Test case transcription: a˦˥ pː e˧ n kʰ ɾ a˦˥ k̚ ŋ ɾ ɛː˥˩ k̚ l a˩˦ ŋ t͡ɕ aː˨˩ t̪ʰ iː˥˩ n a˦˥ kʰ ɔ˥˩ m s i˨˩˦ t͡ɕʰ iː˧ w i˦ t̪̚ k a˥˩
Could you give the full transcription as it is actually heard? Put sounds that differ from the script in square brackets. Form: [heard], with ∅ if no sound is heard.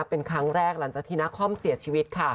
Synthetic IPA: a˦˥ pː e˧ n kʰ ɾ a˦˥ [∅] ŋ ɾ ɛː˥˩ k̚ l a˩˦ ŋ t͡ɕ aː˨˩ t̪ʰ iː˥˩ n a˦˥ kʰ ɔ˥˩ m s i˨˩˦ t͡ɕʰ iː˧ w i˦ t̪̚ [kʰ] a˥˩